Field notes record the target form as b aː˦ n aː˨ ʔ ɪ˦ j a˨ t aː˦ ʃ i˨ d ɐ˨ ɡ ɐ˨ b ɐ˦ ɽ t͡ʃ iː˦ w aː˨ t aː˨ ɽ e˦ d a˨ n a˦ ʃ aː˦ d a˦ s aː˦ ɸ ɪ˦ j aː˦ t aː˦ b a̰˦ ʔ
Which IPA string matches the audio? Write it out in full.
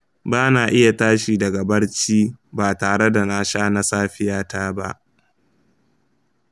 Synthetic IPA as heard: b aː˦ n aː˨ ʔ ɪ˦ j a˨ t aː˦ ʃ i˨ d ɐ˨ ɡ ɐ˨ b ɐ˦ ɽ t͡ʃ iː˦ b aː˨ t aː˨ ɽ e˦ d a˨ n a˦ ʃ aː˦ n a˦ s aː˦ ɸ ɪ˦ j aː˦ t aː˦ b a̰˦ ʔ